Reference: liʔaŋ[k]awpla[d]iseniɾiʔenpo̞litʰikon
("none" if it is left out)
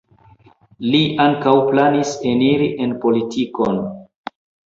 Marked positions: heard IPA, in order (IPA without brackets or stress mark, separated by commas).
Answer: k, n